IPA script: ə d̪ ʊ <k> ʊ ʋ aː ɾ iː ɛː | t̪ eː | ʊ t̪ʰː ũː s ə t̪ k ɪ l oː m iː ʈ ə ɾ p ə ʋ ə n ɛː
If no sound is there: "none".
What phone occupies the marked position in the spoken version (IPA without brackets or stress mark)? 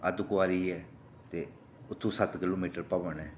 k